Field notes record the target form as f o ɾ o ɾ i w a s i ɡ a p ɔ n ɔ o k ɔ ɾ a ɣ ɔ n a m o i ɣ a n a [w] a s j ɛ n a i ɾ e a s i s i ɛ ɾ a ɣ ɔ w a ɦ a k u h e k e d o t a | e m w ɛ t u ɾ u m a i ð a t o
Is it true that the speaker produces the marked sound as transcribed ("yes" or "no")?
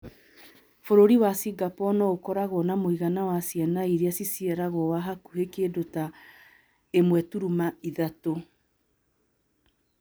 yes